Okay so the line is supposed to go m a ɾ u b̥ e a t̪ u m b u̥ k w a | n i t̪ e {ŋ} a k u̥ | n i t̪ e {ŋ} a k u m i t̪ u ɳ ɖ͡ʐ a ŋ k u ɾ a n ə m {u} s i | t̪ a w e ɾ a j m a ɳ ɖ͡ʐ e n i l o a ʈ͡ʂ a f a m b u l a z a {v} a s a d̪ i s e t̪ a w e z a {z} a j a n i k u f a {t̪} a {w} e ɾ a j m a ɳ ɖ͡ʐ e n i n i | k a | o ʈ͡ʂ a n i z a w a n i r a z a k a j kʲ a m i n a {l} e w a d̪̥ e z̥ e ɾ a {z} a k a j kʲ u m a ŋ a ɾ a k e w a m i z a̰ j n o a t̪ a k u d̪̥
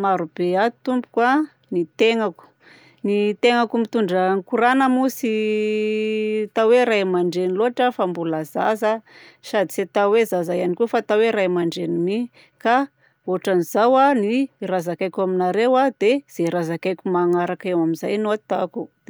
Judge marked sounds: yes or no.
yes, yes, yes, no, yes, yes, yes, no, yes

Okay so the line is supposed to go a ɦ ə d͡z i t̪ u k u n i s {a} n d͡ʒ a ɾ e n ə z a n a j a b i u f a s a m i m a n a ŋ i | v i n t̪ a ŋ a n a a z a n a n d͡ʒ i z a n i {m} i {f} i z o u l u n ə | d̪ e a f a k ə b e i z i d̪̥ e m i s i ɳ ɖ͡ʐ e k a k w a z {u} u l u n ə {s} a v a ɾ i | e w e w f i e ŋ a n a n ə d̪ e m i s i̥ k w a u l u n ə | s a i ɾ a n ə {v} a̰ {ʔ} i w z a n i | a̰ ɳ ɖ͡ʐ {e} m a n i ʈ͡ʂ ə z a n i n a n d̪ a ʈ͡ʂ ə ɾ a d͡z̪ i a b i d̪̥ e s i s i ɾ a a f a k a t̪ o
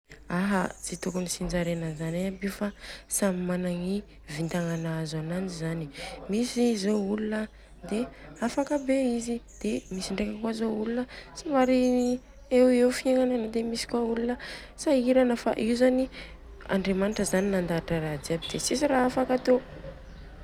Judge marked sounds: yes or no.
no, yes, no, no, yes, no, yes, yes

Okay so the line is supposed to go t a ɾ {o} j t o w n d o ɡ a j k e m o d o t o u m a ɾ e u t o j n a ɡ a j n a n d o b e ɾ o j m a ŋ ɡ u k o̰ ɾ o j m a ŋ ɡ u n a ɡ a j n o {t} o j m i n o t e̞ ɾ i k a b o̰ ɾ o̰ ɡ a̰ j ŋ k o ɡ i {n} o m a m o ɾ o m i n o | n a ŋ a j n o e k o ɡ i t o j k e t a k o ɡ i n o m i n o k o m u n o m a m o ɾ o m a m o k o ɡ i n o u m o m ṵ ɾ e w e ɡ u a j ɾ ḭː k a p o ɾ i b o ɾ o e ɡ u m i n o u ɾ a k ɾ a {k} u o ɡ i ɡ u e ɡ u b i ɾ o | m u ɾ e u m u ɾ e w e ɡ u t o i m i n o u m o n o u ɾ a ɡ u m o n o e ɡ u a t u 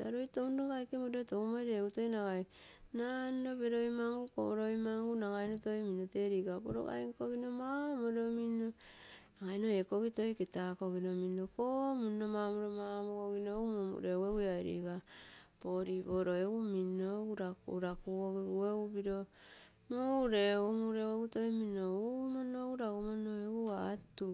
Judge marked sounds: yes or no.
yes, yes, yes, yes

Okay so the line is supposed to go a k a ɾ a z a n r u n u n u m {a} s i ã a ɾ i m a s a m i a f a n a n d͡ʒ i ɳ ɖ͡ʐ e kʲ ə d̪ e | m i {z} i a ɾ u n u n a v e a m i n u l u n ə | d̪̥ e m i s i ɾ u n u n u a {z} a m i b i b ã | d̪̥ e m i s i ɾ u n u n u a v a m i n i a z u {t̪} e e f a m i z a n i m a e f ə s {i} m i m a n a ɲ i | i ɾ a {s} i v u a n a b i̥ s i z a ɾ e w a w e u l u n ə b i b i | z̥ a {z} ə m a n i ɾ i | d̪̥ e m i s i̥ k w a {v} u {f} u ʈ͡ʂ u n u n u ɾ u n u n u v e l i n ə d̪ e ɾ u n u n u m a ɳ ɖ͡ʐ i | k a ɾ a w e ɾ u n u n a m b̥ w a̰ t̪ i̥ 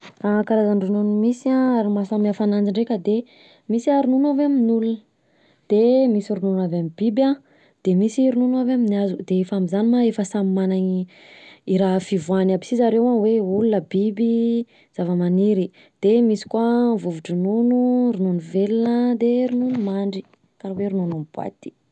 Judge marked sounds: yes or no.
no, no, no, no, no, no, no, yes, no

